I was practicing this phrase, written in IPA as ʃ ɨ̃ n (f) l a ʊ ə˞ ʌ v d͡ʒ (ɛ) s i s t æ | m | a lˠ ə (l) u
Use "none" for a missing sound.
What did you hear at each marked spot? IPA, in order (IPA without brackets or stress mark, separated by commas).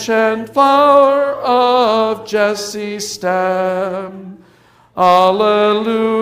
f, ɛ, l